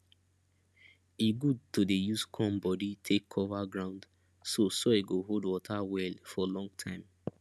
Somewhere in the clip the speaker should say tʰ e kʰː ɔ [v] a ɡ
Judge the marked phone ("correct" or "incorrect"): correct